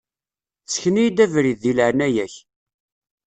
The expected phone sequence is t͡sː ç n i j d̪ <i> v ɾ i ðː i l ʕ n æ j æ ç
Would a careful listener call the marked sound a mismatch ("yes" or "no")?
yes